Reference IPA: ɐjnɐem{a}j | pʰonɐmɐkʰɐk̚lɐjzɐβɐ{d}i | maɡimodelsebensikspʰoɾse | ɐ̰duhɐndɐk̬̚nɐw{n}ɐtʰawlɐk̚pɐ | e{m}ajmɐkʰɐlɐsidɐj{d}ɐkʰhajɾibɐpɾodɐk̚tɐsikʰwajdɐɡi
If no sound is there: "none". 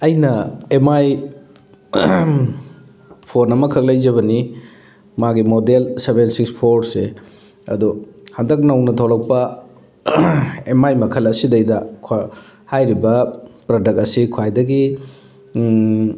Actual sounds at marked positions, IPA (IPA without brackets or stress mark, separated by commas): a, n, n, m, d